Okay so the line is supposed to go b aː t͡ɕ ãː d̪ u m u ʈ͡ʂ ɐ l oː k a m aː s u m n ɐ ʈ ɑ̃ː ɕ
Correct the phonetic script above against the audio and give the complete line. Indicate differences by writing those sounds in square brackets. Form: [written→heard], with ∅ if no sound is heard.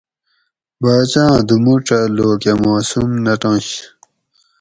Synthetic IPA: b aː t͡ɕ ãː d̪ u m u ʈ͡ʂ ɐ l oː k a m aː s u m n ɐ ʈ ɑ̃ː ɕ